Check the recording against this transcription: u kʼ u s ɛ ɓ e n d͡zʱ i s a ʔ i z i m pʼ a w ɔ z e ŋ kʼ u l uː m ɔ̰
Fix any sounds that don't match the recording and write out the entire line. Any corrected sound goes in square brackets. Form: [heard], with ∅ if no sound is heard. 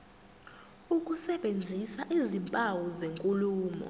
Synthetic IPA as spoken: u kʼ u s ɛ ɓ e n d͡zʱ i s a ʔ i z i m pʼ a w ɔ z e ŋ kʼ u l uː m ɔ̰

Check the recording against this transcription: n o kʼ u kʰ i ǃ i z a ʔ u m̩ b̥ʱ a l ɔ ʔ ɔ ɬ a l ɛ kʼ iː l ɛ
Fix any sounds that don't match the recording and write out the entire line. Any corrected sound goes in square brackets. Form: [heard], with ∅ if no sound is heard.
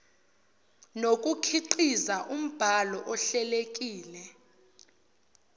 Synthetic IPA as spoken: n o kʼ u kʰ i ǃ i z a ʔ u m̩ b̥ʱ a l ɔ ʔ ɔ ɬ [ɛ] l [e] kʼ iː l ɛ

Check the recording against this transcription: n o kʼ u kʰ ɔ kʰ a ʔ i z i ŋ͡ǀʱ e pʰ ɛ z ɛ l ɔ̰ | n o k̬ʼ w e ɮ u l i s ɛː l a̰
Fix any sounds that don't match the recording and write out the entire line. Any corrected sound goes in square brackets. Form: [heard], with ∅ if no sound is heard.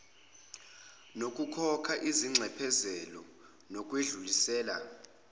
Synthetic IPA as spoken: n o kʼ u kʰ ɔ kʰ a ʔ i z i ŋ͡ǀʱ [ɛ] pʰ ɛ z ɛ l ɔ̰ | n o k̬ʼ w e ɮ u l i s ɛː l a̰

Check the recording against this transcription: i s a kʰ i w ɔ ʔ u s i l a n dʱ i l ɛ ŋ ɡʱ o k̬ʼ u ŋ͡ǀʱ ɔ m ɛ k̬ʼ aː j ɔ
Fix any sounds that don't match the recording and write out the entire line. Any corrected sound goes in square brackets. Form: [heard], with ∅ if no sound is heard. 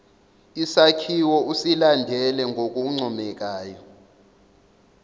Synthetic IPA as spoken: i s a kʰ i w ɔ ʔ u s i l a n dʱ [ɛ] l ɛ ŋ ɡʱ o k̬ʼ u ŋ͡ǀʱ ɔ m ɛ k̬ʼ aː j ɔ

